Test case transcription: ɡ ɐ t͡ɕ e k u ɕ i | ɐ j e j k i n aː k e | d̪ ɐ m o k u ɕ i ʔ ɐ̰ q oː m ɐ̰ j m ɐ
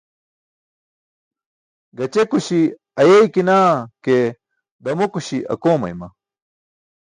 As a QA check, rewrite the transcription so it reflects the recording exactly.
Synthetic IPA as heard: ɡ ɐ t͡ɕ e k u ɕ i | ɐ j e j k i n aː k e | d̪ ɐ m o k u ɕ i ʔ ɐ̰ k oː m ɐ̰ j m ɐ